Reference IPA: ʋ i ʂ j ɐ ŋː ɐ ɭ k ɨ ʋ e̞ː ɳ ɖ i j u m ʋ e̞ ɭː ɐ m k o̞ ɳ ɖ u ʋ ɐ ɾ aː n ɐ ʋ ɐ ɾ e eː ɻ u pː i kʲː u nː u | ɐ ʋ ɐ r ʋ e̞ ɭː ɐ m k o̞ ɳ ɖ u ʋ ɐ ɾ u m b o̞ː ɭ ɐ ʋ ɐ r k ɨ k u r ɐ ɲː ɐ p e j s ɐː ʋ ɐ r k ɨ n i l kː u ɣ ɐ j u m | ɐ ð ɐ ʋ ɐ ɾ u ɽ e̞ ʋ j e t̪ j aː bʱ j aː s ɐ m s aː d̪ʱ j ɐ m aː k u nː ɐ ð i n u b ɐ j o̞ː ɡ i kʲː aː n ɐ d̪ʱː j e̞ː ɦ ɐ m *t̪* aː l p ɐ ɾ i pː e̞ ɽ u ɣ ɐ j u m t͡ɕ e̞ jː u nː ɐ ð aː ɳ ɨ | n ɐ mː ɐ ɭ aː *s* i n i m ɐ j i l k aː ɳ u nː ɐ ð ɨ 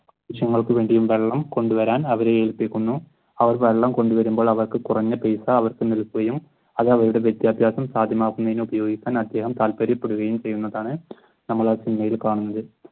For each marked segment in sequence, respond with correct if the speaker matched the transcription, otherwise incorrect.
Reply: correct, correct

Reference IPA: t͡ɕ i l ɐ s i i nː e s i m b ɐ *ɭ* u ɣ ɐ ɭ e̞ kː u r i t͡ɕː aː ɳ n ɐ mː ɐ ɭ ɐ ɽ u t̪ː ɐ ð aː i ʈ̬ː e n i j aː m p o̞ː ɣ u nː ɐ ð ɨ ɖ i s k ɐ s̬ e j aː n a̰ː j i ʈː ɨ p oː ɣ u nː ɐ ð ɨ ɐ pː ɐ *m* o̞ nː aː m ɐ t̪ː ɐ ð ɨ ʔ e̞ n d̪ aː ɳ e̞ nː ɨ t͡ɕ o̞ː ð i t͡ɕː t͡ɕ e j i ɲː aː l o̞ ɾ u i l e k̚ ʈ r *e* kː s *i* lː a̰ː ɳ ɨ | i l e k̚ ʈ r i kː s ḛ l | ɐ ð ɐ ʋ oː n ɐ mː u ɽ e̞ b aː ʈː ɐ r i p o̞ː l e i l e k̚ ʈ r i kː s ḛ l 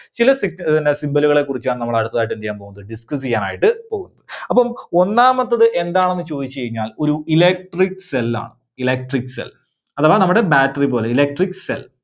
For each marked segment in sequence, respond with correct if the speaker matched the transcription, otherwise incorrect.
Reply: incorrect, correct, incorrect, incorrect

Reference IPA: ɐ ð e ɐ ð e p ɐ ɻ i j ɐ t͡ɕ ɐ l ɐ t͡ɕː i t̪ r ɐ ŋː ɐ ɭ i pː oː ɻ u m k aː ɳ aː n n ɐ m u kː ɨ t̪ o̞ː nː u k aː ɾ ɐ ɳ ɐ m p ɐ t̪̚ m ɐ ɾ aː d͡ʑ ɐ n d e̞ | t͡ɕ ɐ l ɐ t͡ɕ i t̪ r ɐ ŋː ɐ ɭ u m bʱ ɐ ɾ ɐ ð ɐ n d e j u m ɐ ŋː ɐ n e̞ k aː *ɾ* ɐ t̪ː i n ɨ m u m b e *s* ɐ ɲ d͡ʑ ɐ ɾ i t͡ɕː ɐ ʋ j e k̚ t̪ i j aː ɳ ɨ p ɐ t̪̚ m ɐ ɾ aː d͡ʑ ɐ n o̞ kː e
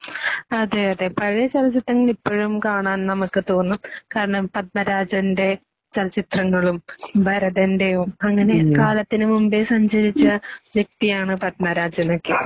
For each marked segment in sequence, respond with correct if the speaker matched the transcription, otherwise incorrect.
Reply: incorrect, correct

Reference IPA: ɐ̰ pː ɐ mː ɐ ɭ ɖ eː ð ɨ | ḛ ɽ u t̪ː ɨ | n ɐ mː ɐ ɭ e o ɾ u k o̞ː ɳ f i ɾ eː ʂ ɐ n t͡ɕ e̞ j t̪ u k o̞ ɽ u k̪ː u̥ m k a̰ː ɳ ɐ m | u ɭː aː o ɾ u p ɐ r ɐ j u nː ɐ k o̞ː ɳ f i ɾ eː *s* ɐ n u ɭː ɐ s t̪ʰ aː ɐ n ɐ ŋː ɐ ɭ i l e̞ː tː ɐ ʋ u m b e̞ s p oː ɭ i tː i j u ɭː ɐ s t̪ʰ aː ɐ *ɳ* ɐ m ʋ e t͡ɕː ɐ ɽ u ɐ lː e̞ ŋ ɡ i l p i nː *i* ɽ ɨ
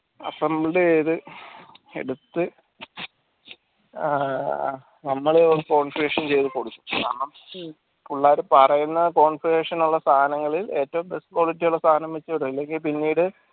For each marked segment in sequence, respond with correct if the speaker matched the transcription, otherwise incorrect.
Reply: incorrect, incorrect, incorrect

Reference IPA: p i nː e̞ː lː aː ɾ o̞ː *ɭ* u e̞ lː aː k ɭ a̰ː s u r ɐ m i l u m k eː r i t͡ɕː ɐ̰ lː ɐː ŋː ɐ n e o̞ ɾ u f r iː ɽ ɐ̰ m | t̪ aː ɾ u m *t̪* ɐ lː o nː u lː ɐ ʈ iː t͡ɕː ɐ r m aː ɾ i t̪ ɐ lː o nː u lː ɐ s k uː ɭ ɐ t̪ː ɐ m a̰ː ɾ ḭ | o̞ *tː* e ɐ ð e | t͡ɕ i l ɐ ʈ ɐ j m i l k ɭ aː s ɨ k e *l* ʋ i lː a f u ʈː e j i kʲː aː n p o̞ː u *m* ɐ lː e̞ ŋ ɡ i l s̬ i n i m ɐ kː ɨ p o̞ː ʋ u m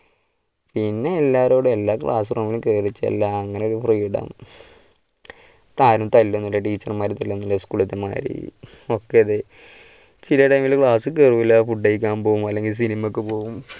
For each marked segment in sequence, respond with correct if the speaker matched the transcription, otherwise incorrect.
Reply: incorrect, correct, incorrect, incorrect, correct

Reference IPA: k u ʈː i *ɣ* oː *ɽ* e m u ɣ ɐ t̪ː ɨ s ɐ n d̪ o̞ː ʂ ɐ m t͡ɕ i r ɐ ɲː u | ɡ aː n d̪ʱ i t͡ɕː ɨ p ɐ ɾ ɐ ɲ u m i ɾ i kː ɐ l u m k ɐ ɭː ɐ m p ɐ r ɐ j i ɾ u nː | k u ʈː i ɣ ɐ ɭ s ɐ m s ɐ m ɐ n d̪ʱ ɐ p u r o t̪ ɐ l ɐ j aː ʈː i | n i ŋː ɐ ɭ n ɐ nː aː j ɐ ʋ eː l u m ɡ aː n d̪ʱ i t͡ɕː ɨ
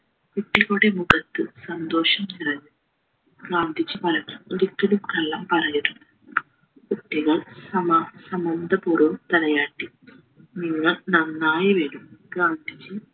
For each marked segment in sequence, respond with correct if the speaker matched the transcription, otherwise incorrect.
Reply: correct, correct

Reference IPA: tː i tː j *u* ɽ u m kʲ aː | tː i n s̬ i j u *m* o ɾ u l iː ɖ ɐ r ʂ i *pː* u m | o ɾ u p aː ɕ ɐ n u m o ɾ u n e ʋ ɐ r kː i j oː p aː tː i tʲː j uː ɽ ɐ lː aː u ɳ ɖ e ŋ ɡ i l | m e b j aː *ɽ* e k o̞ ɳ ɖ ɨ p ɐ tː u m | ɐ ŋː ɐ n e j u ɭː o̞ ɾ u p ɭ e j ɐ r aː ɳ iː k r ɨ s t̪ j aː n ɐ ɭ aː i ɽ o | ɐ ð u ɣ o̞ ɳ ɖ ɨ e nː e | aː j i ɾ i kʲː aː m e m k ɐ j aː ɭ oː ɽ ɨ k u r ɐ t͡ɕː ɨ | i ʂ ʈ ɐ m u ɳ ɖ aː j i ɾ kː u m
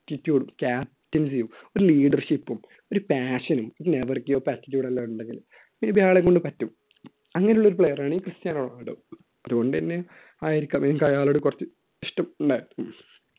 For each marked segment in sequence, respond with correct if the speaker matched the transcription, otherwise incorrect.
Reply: incorrect, correct, correct, incorrect

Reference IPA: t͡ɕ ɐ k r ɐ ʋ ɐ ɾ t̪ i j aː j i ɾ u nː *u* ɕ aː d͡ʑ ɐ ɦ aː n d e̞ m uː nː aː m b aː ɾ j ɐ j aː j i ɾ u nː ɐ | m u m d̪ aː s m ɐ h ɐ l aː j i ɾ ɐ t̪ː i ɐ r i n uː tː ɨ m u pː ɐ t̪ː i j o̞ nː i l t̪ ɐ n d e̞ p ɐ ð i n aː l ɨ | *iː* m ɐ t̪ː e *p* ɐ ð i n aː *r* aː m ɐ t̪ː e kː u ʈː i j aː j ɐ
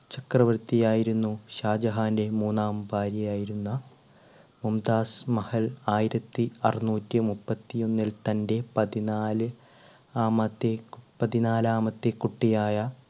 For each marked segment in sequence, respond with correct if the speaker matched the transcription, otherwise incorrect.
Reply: correct, incorrect, correct, incorrect

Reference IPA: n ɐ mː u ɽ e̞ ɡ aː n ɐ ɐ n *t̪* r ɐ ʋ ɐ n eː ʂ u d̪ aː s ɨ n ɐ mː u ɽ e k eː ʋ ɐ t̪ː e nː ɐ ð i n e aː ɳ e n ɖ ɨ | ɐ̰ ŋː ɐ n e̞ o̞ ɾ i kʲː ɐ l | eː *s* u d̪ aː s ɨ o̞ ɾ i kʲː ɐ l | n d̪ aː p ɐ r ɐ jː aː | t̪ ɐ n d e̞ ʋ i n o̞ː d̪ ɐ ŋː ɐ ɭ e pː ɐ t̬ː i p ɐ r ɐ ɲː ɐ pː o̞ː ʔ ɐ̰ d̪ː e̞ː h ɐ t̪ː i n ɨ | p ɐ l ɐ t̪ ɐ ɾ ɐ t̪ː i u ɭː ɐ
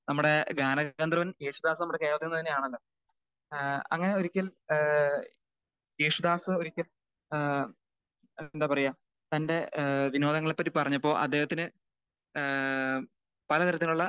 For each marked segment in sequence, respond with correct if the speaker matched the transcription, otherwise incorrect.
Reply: incorrect, incorrect

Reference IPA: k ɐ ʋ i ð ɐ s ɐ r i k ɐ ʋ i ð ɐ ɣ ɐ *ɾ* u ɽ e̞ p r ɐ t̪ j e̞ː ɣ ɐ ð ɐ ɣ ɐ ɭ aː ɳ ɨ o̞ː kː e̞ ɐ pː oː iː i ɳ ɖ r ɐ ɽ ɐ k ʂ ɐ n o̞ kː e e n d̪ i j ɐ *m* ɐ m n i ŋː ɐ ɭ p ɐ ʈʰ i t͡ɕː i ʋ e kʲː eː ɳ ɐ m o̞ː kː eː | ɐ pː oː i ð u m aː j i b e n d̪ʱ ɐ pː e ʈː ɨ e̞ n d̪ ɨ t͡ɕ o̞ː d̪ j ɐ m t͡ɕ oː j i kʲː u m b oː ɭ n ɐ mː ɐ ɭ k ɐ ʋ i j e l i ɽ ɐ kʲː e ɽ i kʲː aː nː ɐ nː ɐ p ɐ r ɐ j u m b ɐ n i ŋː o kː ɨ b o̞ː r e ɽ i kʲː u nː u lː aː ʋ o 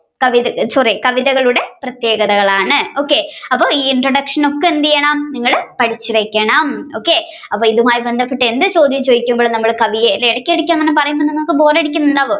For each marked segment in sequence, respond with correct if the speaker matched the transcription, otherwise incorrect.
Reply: incorrect, incorrect

